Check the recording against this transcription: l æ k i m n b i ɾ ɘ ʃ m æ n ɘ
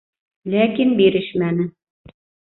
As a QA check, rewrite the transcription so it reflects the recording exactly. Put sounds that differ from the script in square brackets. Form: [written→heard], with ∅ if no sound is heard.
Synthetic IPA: l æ k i [m→∅] n b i ɾ ɘ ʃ m æ n ɘ